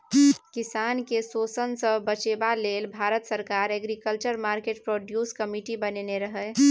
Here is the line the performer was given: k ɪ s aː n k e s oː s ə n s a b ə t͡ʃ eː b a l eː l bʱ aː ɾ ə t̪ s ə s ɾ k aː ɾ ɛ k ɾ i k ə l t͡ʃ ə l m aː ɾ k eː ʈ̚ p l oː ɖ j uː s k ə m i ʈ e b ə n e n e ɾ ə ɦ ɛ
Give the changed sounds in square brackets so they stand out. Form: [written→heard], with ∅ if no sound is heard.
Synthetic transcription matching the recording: k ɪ s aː n k e s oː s ə n s [a→ə] b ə t͡ʃ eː b a l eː l bʱ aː ɾ ə t̪ s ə [s→∅] ɾ k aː ɾ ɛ [k→ɡ] ɾ i k ə l t͡ʃ ə [l→ɾ] m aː ɾ k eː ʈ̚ p [l→ɾ] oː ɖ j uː s k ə m i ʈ [e→i] b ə n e n e ɾ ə ɦ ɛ